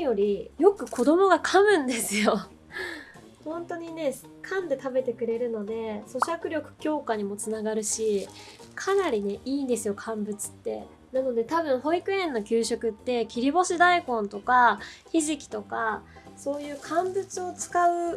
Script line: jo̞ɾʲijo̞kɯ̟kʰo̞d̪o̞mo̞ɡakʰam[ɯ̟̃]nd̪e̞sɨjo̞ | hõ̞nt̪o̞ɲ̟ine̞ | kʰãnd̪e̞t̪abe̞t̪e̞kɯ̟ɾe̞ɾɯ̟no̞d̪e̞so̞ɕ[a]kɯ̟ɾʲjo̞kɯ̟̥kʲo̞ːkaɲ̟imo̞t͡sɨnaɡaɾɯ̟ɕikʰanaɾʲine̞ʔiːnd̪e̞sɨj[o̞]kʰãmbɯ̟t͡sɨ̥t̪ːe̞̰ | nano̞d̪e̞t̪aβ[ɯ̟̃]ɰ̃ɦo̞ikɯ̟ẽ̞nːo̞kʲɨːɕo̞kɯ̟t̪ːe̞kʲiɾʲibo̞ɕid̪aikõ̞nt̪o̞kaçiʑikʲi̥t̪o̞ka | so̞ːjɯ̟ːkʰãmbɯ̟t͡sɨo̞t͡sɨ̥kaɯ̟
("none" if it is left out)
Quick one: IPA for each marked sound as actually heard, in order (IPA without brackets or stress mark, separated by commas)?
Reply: ɯ̟̃, a, o̞, ɯ̟̃